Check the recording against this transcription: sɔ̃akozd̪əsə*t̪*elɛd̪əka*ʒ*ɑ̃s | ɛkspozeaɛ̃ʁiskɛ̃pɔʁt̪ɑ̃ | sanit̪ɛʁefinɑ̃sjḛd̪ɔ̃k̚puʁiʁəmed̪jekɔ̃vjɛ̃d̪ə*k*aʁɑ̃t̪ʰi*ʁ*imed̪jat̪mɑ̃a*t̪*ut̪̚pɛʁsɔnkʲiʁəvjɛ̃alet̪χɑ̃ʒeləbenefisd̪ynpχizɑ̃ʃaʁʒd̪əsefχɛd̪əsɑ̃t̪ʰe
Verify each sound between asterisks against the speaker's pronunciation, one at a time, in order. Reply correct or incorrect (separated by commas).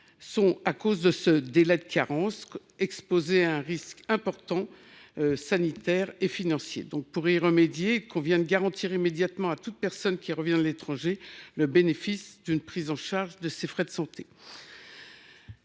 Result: incorrect, incorrect, incorrect, correct, correct